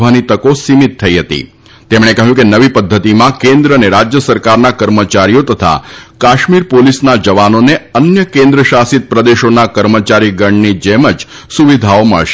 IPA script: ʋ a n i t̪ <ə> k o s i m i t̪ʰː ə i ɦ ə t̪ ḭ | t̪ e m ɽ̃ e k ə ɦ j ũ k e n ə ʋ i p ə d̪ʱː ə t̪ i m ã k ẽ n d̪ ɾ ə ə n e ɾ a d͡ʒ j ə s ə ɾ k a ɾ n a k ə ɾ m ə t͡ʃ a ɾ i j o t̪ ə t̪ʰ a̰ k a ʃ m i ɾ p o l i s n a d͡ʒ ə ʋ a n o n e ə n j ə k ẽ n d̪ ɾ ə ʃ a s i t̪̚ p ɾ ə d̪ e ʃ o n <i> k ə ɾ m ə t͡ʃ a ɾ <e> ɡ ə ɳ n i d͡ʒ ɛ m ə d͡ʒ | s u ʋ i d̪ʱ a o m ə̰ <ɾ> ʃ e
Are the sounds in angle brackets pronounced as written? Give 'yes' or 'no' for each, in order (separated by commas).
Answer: yes, no, no, no